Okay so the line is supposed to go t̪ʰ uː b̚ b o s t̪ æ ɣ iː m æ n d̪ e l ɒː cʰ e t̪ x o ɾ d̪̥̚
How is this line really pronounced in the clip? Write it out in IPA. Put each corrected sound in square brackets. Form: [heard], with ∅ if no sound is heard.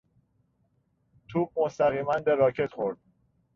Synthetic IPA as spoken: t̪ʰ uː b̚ [m] o s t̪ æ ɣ iː m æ n d̪ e [ɾ] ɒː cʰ e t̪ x o ɾ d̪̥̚